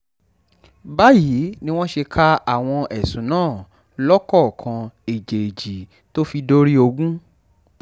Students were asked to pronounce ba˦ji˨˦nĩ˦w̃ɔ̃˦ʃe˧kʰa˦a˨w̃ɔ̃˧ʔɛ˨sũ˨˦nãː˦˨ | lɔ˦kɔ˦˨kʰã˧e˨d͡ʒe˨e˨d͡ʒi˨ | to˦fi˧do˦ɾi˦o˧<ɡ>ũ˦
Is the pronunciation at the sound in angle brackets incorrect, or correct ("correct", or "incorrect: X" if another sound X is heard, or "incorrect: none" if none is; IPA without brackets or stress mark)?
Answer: correct